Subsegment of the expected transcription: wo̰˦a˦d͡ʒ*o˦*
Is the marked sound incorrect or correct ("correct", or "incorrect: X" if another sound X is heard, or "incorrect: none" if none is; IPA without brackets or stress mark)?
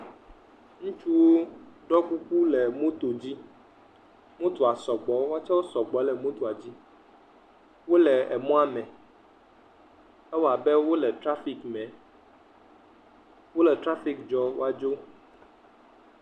correct